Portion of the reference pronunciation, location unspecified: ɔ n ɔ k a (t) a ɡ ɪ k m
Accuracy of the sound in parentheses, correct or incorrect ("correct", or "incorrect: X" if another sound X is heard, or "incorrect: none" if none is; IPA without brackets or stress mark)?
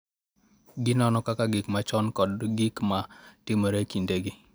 incorrect: k